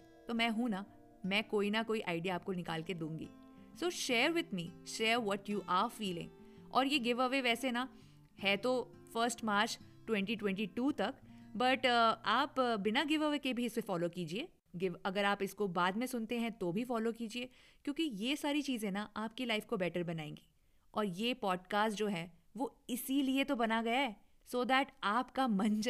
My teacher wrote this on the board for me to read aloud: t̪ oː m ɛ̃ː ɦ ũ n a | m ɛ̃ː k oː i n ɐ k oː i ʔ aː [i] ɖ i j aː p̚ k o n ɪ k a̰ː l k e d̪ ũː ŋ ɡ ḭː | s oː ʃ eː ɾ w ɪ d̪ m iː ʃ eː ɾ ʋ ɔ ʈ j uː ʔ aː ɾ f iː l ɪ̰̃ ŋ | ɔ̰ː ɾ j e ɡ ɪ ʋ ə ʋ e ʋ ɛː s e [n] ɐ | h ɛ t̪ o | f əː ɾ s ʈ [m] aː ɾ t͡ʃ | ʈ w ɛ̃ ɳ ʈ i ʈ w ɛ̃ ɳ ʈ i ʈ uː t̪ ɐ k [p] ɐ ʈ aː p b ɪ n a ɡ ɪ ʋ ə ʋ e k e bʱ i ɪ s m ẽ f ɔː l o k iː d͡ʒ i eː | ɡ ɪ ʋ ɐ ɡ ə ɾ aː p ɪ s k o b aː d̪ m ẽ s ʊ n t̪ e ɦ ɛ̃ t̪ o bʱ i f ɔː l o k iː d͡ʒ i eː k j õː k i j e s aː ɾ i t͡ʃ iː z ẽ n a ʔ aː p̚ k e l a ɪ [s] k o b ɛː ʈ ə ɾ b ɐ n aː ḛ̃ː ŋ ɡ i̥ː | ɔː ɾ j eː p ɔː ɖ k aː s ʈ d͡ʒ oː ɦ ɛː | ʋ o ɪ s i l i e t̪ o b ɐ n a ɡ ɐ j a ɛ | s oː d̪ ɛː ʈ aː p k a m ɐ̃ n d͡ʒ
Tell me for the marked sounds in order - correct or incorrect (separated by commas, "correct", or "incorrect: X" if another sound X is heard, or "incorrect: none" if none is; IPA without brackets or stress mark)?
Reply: incorrect: ɪ, correct, correct, incorrect: b, incorrect: f